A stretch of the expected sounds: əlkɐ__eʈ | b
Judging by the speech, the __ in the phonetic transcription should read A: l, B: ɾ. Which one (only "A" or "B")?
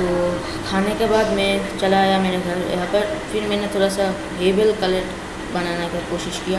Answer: A